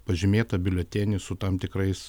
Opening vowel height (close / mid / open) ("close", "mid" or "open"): open